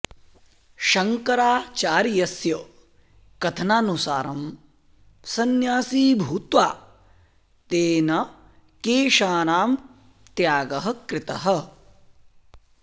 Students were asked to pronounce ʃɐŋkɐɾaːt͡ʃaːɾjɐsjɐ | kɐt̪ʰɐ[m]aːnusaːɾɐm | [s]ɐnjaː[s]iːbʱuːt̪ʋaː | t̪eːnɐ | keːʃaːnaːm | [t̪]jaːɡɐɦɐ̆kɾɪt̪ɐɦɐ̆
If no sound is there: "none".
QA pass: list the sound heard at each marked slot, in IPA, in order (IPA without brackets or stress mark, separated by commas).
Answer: n, s, s, t̪